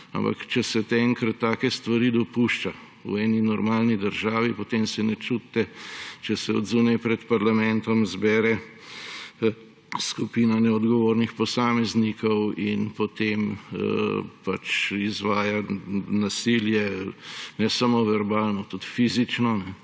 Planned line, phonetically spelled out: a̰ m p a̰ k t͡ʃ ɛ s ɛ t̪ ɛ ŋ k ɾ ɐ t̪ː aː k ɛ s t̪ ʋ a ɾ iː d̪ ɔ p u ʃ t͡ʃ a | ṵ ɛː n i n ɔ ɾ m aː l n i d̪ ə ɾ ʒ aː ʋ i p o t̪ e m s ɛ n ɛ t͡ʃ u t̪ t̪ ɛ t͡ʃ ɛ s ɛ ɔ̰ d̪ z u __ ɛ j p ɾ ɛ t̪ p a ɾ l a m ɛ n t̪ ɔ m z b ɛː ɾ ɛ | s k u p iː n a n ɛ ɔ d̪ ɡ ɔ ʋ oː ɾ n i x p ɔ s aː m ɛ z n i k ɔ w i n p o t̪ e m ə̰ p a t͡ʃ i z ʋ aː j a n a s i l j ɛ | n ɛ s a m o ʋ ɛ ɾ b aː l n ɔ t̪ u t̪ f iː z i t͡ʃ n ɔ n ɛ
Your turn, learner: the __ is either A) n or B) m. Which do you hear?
A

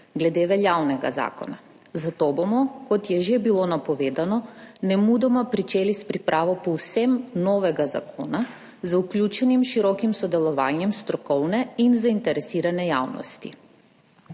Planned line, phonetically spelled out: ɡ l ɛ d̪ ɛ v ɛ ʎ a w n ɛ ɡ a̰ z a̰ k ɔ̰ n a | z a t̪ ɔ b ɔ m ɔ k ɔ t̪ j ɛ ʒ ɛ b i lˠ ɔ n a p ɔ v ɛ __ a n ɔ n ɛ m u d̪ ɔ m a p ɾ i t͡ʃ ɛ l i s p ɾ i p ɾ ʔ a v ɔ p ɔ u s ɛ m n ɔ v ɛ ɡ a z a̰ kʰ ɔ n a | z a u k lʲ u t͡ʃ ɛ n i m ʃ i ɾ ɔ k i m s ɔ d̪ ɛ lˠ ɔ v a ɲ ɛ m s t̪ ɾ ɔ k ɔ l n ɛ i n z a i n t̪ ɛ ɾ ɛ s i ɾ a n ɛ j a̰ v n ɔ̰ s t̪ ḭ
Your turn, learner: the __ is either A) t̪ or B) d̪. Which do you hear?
B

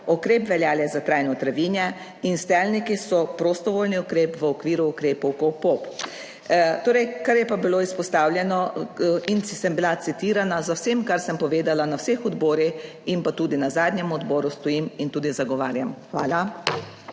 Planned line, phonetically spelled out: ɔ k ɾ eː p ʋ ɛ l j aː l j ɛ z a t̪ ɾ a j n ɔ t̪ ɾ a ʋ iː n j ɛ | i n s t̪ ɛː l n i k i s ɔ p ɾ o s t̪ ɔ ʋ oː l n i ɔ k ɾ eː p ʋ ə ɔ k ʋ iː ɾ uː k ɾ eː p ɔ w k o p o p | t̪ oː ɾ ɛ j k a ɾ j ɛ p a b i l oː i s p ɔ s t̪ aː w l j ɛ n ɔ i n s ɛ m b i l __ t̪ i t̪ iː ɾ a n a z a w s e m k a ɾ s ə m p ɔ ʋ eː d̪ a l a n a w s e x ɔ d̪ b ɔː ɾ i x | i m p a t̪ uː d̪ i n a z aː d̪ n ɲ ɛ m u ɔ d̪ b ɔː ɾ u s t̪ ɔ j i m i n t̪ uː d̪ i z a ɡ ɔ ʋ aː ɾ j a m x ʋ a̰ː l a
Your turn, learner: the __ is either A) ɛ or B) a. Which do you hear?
B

